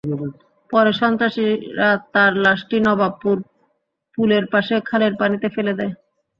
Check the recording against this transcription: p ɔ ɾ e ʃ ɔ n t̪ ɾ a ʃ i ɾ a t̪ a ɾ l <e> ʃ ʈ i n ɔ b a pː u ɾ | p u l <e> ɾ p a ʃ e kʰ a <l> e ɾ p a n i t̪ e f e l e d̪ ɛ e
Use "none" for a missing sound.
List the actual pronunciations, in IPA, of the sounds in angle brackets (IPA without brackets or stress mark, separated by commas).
a, e, l